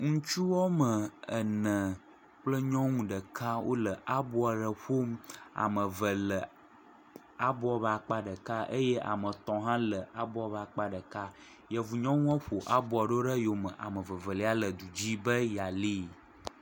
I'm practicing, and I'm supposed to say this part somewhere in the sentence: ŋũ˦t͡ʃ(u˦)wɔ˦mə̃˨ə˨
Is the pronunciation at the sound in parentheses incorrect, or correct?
correct